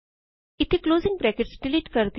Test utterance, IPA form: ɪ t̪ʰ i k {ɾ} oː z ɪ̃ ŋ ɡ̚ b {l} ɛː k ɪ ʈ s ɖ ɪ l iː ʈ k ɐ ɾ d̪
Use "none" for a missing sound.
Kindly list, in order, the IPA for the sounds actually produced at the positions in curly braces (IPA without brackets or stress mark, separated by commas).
l, ɾ